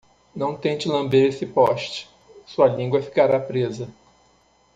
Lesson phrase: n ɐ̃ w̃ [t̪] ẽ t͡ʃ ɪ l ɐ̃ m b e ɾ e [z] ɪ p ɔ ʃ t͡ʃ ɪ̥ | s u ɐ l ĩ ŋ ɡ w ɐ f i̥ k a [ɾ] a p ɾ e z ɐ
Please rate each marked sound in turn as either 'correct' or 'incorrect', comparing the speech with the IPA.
correct, incorrect, correct

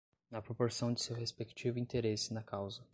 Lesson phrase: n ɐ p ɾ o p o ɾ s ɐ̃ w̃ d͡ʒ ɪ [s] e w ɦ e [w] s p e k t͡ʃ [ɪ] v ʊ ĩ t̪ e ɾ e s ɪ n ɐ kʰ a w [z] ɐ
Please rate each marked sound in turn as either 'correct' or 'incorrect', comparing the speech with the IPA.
correct, incorrect, incorrect, correct

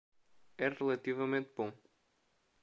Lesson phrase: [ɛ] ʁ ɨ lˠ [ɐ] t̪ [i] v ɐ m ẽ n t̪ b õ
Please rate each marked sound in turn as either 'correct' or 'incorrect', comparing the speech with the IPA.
correct, correct, correct

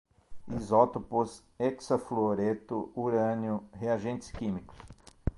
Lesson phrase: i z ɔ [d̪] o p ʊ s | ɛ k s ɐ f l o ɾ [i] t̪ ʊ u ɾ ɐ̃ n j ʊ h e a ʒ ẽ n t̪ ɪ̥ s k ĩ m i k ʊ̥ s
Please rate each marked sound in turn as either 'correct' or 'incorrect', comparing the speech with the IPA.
incorrect, incorrect

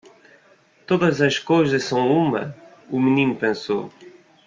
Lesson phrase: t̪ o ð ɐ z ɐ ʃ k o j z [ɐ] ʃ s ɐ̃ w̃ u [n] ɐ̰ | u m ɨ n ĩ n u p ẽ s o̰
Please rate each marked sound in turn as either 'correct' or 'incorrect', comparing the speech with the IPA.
correct, incorrect

